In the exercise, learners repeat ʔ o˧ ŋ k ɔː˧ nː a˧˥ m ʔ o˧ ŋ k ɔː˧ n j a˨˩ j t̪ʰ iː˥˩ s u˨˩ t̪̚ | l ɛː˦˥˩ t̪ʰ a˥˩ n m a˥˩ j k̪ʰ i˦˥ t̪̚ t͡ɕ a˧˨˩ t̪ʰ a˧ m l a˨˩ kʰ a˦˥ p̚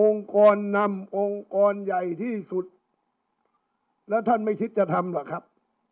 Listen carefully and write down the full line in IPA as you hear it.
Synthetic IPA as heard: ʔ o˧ ŋ k ɔː˧ nː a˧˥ m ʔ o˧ ŋ k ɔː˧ n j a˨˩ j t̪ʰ iː˥˩ s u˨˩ t̪̚ | l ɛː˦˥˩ t̪ʰ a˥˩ n m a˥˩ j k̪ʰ i˦˥ t̪̚ t͡ɕ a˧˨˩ t̪ʰ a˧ m l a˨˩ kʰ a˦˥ p̚